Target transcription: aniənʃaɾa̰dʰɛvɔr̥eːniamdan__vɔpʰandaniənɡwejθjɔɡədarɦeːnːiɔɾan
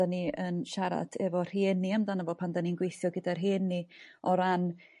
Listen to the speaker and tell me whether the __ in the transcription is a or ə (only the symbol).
ə